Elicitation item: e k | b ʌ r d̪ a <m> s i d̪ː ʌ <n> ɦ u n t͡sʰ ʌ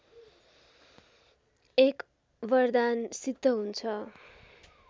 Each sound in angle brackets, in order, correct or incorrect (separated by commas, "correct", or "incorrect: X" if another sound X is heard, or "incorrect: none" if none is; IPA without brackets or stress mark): incorrect: n, incorrect: none